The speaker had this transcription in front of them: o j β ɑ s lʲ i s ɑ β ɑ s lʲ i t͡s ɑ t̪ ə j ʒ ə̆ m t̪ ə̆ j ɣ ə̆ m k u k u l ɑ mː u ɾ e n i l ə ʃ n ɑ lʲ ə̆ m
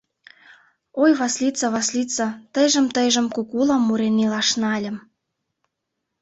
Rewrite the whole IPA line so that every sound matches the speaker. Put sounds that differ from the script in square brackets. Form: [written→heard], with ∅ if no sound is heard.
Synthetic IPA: o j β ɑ s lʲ i [s→t͡s] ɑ β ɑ s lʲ i t͡s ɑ t̪ ə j ʒ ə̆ m t̪ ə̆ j [ɣ→ʒ] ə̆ m k u k u l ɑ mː u ɾ e n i l [ə→ɑ] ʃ n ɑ lʲ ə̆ m